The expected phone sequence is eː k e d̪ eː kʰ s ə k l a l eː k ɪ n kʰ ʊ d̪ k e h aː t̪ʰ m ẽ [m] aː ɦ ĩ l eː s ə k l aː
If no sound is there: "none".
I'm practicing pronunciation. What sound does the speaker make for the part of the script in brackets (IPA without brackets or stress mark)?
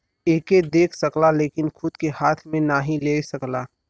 n